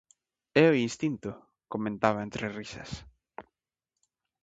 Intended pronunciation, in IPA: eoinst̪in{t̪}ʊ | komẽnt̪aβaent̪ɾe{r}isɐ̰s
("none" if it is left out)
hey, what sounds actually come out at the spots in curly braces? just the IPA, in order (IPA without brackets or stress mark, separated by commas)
t̪, r